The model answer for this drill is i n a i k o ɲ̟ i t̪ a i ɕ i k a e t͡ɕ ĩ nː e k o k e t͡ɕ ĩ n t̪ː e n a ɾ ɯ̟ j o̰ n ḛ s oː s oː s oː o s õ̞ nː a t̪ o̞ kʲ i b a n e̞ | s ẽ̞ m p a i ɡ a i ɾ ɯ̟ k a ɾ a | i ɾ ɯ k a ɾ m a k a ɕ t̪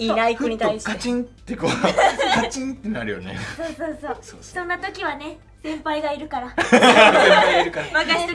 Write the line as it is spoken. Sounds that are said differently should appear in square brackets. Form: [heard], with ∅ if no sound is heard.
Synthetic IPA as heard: i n a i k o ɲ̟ i t̪ a i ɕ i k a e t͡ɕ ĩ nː e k o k [a] t͡ɕ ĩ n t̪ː e n a ɾ ɯ̟ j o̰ n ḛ s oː s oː s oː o s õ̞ nː a t̪ o̞ kʲ i [β] a n e̞ | s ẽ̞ m p a i ɡ a i ɾ ɯ̟ k a ɾ a | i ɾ ɯ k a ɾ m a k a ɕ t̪